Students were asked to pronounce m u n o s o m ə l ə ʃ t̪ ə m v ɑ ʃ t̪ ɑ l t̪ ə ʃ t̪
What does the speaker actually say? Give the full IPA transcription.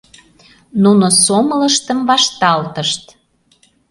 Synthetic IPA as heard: n u n o s o m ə l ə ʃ t̪ ə m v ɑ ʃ t̪ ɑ l t̪ ə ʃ t̪